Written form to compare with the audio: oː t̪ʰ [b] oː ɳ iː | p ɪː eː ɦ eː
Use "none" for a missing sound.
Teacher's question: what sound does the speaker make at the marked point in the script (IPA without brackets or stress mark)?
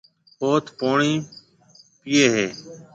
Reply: p